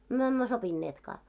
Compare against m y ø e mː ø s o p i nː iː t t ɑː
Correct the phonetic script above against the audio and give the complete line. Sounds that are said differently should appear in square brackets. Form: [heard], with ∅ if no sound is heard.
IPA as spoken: m y ø e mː ø s o p i nː [eː] t [k] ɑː